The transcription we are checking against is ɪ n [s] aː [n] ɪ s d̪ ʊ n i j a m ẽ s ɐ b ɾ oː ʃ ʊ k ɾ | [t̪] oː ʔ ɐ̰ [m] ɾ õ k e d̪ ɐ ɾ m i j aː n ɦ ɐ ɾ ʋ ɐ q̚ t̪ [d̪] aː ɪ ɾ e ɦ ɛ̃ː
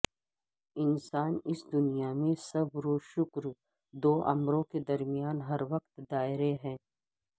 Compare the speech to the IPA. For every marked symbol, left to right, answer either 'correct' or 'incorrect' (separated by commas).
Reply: correct, correct, incorrect, correct, correct